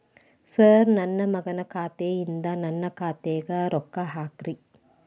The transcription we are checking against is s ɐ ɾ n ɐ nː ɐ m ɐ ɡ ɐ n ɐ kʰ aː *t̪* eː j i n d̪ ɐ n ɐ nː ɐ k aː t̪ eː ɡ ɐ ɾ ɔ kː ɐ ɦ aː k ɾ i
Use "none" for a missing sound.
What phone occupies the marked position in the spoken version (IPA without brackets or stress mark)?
t̪